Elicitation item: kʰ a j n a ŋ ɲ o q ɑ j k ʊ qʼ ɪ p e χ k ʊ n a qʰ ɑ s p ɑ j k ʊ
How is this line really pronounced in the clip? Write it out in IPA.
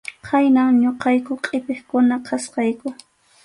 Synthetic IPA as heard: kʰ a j n a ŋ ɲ o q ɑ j k ʊ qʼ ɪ p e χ k ʊ n a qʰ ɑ s q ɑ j k ʊ

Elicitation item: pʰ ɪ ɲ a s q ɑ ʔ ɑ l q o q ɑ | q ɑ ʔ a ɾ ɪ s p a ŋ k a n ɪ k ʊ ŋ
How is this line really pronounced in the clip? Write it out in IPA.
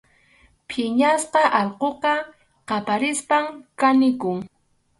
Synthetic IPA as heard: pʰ ɪ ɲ a s q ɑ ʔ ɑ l q o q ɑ | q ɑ p a ɾ ɪ s p a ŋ k a n ɪ k ʊ ŋ

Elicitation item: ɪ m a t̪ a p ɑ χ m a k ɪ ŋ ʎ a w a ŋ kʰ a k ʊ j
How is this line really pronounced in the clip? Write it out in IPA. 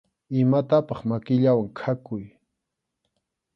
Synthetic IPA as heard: ɪ m a t̪ a p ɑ χ m a k ɪ ʎ a w a ŋ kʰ a k ʊ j

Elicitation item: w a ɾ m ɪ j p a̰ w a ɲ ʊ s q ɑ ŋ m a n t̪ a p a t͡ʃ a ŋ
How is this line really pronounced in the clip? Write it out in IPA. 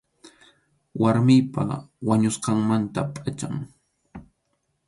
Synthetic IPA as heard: w a ɾ m ɪ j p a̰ w a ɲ ʊ s q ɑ ŋ m a n t̪ a pʼ a t͡ʃ a ŋ

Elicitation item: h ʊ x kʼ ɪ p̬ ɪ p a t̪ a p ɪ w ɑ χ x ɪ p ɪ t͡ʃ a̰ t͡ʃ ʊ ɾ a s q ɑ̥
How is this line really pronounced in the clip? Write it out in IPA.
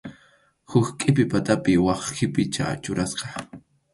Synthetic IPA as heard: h ʊ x kʼ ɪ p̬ ɪ p a t̪ a p ɪ w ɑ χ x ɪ p ɪ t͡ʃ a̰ t͡ʃ ʊ ɾ a s q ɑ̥

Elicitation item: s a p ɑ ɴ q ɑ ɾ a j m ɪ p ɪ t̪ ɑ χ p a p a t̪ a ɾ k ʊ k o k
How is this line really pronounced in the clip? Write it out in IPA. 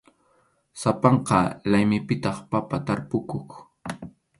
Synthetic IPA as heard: s a p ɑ ɴ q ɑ l a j m ɪ p ɪ t̪ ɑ χ p a p a t̪ a ɾ p ʊ k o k

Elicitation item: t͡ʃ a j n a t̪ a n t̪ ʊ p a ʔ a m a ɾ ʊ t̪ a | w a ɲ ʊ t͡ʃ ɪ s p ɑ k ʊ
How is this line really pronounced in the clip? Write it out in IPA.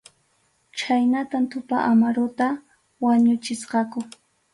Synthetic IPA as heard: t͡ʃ a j n a t̪ a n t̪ ʊ p a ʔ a m a ɾ ʊ t̪ a | w a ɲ ʊ t͡ʃ ɪ s q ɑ k ʊ

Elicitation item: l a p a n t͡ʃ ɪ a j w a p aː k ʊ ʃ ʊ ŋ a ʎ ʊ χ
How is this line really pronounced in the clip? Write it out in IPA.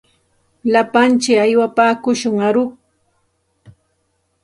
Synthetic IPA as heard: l a p a n t͡ʃ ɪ a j w a p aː k ʊ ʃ ʊ ŋ a ɾ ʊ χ

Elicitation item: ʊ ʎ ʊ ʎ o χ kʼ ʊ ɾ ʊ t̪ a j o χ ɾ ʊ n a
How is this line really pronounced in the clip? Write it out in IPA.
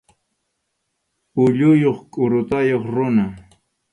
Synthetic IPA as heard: ʊ ʎ ʊ j o χ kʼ ʊ ɾ ʊ t̪ a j o χ ɾ ʊ n a

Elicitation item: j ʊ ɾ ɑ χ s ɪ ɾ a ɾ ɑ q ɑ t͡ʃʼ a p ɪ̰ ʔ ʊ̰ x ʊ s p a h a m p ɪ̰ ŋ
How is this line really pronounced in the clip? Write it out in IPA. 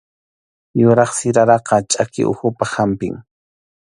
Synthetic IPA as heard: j ʊ ɾ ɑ χ s ɪ ɾ a ɾ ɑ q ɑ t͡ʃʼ a k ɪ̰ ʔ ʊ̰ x ʊ p a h a m p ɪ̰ ŋ

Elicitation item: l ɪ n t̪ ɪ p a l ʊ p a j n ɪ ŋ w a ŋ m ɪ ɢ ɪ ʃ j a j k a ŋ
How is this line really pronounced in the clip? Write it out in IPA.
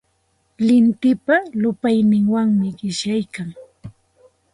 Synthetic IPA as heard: l ɪ n t̪ ɪ p a l ʊ p a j n ɪ ŋ w a ŋ m ɪ ɢ ɪ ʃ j a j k a ŋ

